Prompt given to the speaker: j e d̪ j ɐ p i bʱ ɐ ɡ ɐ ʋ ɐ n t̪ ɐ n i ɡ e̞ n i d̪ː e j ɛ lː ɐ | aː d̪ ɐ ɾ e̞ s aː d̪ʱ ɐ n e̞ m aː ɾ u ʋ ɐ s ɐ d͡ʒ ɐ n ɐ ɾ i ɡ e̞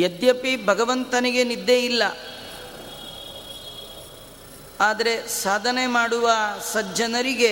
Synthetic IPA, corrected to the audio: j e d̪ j ɐ p i bʱ ɐ ɡ ɐ ʋ ɐ n t̪ ɐ n i ɡ e̞ n i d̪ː e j i lː ɐ | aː d̪ ɐ ɾ e̞ s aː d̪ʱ ɐ n e̞ m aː ɽ u ʋ ɐ s ɐ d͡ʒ ɐ n ɐ ɾ i ɡ e̞